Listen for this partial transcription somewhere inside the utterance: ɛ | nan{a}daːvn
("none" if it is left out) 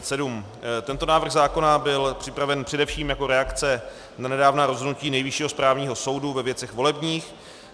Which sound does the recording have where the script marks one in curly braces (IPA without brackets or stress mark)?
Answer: ɛ